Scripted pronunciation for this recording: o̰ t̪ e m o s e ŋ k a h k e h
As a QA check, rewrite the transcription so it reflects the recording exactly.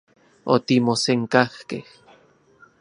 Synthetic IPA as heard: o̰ t̪ i m o s e ŋ k a h k e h